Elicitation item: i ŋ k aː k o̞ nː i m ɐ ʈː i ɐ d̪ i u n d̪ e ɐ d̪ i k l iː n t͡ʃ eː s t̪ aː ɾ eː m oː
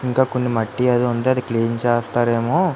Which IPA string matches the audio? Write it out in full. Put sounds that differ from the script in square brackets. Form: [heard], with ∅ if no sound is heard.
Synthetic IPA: i ŋ k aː k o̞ nː i m ɐ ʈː i ɐ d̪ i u n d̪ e ɐ d̪ i k l iː n t͡ʃ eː s t̪ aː ɾ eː m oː